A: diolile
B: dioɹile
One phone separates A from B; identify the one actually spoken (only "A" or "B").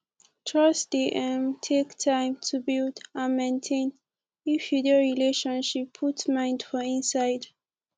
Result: B